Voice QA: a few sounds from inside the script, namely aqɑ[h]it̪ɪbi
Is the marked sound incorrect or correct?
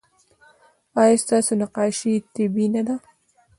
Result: incorrect